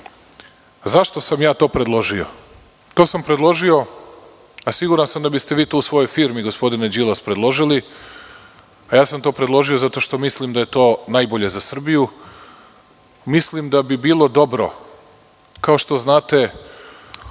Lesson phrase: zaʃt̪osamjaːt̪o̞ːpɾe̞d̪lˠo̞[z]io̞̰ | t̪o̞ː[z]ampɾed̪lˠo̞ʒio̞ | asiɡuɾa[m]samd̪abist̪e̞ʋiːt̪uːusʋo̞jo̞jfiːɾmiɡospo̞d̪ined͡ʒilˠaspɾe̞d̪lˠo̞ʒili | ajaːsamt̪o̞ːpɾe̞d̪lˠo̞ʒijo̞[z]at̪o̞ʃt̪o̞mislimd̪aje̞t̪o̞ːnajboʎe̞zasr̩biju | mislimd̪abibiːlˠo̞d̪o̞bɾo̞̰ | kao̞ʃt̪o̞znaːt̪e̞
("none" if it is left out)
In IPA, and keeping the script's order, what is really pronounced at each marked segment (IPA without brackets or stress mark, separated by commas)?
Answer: ʒ, s, n, z